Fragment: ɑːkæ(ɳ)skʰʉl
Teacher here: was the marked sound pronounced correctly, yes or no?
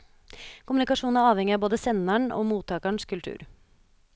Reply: yes